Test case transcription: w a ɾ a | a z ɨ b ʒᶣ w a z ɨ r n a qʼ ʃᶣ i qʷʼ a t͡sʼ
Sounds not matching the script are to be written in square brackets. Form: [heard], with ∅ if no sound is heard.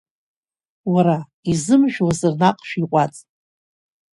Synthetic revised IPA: w a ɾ a | [i] z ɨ [m] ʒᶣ w a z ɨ r n a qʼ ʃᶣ i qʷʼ a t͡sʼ